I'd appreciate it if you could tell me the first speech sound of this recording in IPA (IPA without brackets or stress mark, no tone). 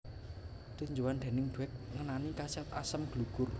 t̪